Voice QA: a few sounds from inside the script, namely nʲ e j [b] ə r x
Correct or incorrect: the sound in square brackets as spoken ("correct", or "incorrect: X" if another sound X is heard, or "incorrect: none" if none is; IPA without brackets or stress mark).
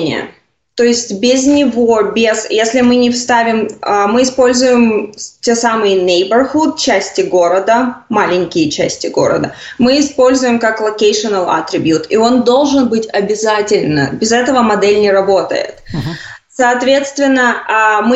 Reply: correct